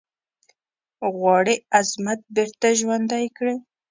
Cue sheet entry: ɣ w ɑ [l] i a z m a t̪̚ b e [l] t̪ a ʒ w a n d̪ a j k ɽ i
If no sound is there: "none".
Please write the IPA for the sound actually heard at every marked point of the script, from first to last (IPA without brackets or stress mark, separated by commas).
ɽ, ɾ